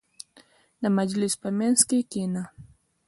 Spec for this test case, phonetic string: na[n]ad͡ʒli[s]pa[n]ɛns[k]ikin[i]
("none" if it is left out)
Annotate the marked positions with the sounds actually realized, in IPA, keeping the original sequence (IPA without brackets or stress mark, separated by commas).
m, s, m, k, a